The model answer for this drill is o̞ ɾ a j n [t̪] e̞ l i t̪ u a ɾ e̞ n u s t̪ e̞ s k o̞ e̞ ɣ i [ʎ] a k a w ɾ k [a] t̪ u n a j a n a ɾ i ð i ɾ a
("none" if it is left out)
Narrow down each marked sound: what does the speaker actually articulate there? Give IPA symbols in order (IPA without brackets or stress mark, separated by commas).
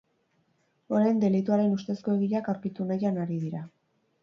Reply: d̪, ʎ, i